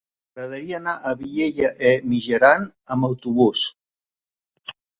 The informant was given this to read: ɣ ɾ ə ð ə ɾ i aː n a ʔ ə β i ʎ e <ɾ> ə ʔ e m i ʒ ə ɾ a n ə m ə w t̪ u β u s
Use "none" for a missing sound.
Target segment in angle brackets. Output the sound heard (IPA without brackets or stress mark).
ʎ